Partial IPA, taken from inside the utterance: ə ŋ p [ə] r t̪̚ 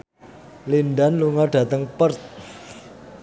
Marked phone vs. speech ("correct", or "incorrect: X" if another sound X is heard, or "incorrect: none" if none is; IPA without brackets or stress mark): correct